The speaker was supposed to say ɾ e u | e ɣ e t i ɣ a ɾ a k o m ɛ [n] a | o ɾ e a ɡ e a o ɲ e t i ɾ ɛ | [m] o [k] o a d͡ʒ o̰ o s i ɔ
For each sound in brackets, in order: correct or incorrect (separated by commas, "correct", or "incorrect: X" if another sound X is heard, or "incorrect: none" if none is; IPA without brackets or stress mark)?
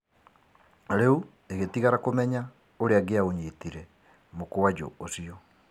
incorrect: ɲ, correct, correct